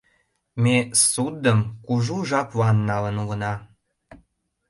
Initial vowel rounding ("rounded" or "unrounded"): unrounded